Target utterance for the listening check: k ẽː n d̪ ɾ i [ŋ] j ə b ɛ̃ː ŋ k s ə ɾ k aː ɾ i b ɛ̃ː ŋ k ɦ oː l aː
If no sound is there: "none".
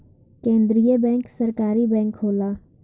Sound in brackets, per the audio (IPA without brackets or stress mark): none